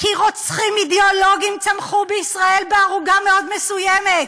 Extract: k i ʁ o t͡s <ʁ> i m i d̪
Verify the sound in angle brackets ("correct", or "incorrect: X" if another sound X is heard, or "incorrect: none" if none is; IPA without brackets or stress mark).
incorrect: χ